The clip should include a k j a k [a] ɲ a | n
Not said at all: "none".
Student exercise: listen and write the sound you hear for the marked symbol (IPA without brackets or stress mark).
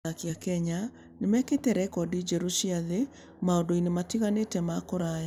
ɛ